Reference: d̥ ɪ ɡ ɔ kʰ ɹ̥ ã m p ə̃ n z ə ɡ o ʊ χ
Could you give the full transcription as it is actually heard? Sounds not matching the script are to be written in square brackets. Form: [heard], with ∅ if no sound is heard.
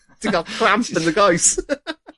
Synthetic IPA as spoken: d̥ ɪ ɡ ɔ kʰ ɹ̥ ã m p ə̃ n [ð] ə ɡ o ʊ [s]